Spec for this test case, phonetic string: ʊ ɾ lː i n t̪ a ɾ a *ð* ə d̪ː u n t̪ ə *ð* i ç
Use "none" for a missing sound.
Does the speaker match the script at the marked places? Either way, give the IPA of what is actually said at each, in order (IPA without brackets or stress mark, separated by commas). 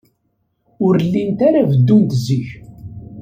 v, z